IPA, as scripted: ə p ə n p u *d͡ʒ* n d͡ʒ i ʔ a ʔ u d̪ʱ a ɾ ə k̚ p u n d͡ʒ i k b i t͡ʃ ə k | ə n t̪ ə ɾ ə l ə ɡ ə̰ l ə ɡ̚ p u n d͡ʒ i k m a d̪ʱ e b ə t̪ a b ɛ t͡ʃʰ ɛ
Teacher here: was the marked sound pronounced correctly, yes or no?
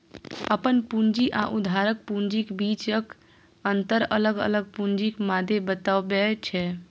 no